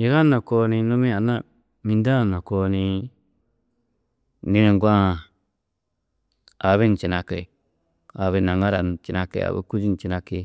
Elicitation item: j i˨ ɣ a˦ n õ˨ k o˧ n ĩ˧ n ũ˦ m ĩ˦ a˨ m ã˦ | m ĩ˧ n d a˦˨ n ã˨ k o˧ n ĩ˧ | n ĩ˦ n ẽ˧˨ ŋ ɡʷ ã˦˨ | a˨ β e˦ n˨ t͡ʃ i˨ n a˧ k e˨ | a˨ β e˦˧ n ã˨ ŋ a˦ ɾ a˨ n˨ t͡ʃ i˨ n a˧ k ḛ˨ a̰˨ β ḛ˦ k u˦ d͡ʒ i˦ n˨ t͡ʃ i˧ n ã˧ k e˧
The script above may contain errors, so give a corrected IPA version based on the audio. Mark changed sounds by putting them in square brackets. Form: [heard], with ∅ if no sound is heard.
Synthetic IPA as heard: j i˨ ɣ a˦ n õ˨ k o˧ n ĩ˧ n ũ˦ m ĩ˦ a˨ [n] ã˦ | m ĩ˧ n d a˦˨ n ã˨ k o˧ n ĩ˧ | n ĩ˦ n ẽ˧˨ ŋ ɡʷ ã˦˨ | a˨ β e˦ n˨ t͡ʃ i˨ n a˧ k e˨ | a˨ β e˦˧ n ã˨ ŋ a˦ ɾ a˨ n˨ t͡ʃ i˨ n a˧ k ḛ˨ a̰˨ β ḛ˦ k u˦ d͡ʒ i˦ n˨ t͡ʃ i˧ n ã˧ k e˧

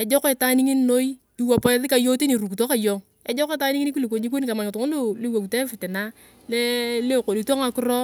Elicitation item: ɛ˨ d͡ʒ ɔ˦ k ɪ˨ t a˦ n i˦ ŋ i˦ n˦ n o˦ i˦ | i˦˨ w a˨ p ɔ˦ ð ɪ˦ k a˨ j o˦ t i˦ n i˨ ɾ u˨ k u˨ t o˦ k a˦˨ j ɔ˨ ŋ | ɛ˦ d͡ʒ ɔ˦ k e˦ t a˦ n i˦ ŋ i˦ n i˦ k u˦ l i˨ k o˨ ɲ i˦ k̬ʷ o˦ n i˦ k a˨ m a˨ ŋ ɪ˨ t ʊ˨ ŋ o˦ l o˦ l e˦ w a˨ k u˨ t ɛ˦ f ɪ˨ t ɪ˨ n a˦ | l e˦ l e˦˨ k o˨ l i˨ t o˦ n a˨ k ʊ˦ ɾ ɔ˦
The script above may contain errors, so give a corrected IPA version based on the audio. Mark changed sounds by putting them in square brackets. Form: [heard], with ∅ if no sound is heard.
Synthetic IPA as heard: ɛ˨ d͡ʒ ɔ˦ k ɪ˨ t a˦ n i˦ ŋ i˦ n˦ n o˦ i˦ | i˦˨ w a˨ p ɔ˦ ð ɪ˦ k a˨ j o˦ t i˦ n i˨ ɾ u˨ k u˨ t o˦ k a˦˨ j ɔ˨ ŋ | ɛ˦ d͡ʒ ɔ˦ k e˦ t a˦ n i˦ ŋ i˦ n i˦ k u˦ l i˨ k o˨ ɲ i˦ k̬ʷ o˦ n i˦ k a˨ m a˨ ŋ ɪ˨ t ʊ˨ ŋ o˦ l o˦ l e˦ w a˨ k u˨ t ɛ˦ f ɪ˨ t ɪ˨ n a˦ | l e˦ l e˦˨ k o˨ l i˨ t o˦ [ŋ] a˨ k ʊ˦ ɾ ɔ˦

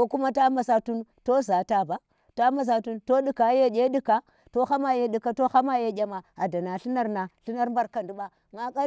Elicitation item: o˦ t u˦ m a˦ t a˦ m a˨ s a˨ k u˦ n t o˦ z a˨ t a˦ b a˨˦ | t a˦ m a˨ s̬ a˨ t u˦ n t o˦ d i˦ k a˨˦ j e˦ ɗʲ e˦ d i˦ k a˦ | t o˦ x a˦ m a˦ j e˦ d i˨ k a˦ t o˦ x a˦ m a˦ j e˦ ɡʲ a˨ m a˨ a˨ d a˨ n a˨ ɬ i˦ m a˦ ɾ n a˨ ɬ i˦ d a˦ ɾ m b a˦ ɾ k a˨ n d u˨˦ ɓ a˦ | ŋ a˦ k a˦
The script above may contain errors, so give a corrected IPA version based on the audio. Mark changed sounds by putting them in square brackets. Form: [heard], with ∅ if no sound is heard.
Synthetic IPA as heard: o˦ [k] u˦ m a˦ t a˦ m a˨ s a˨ [t] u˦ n t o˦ z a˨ t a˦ b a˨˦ | t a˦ m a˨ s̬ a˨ t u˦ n t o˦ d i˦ k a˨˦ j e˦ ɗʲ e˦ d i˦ k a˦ | t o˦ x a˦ m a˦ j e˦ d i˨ k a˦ t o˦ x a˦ m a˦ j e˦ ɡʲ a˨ m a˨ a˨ d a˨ n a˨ ɬ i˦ [n] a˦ ɾ n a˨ ɬ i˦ [n] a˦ ɾ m b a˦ ɾ k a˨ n d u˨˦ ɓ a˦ | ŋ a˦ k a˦

